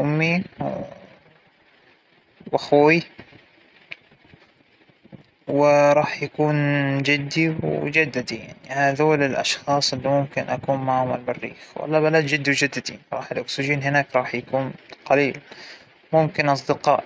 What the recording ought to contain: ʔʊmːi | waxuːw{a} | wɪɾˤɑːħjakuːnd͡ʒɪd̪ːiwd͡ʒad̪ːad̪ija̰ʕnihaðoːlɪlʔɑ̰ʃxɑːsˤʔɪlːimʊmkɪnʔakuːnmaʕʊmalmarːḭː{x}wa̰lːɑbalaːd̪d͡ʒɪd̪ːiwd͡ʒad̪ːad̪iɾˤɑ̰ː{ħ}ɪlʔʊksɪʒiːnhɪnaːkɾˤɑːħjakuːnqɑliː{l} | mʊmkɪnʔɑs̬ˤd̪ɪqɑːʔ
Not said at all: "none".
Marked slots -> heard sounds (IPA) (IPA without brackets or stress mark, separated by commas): i, x, ħ, l